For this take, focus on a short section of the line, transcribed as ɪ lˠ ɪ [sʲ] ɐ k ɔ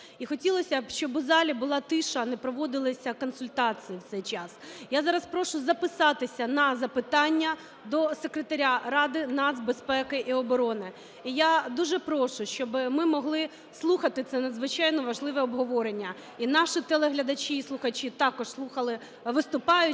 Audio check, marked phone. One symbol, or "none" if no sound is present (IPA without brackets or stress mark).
sʲ